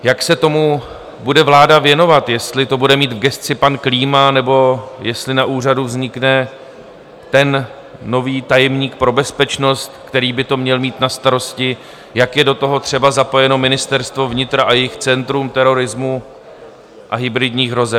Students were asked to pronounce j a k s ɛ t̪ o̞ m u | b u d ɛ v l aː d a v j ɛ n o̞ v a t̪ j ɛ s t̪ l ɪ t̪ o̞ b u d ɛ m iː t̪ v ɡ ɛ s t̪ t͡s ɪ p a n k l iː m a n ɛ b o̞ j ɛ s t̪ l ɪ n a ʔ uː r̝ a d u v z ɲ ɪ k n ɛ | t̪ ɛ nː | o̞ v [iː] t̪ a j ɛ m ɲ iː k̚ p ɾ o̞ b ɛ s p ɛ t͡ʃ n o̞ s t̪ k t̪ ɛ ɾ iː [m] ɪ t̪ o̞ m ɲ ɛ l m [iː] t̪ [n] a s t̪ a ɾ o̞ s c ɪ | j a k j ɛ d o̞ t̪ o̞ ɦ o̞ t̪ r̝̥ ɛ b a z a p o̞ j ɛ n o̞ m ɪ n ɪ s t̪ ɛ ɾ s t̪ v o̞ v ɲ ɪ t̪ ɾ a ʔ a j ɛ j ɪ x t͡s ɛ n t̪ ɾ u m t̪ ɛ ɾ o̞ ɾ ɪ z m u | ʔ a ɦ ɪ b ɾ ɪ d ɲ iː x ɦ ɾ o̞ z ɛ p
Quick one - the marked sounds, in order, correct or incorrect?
correct, incorrect, correct, correct

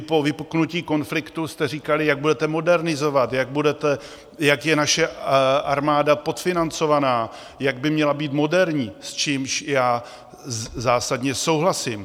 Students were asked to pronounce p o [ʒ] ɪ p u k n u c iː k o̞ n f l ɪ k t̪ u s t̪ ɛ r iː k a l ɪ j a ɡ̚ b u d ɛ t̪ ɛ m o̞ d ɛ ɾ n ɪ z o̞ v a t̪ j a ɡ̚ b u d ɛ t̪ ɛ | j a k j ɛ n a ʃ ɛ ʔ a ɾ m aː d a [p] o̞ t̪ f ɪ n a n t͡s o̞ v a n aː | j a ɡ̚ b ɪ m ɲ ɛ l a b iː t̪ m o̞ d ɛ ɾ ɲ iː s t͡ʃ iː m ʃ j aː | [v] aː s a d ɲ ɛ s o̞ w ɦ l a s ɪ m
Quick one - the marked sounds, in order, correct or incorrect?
incorrect, correct, incorrect

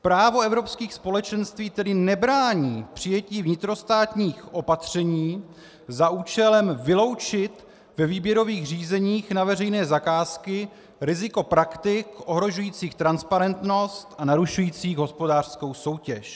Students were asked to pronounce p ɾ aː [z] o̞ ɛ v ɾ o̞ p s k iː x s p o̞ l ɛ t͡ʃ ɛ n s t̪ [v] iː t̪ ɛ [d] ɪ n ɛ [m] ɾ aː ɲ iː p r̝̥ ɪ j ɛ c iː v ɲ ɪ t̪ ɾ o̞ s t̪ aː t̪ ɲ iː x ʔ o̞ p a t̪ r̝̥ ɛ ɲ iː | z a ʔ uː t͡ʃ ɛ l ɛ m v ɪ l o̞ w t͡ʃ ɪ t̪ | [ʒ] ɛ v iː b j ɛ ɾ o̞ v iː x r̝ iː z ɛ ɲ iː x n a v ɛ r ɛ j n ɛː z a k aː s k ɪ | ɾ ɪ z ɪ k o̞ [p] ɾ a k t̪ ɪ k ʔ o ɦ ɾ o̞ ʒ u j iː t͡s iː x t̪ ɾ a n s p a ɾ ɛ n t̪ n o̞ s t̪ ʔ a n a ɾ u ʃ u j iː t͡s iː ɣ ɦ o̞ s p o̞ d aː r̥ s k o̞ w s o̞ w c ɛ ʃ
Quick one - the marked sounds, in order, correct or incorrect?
incorrect, correct, correct, incorrect, incorrect, correct

